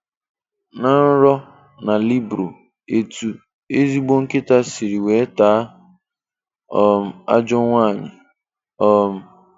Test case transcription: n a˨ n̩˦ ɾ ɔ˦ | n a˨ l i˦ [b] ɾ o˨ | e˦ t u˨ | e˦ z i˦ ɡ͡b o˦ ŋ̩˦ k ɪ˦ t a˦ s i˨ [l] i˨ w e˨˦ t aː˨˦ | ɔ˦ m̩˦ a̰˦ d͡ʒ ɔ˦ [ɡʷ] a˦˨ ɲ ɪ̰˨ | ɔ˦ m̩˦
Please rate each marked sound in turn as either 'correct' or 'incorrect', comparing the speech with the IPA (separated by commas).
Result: correct, incorrect, incorrect